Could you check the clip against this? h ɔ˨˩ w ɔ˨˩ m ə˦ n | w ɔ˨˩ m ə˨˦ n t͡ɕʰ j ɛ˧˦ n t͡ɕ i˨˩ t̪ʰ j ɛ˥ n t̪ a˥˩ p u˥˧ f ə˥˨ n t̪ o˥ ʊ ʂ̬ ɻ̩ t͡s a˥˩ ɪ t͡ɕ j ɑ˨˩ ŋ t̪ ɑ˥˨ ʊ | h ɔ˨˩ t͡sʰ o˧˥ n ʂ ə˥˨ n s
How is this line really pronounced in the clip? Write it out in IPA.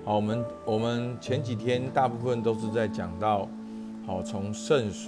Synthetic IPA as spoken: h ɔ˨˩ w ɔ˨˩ m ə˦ n | w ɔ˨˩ m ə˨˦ n t͡ɕʰ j ɛ˧˦ n t͡ɕ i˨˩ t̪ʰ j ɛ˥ n t̪ a˥˧ p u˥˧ f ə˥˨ n t̪ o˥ ʊ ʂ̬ ɻ̩ t͡s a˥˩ ɪ t͡ɕ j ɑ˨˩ ŋ t̪ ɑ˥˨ ʊ | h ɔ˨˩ t͡sʰ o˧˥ ŋ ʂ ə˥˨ n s